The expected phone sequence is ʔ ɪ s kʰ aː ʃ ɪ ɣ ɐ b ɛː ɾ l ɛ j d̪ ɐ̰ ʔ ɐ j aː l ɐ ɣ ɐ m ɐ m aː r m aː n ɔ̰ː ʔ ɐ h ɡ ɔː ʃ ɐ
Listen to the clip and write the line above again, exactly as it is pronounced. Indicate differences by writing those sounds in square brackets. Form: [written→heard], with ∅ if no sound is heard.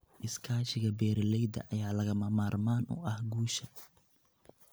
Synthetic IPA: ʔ ɪ s kʰ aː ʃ ɪ ɣ ɐ b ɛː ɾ l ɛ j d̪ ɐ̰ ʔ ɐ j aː l ɐ ɣ ɐ m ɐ m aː r m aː n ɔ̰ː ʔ ɐ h ɡ [ɔː→uː] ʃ ɐ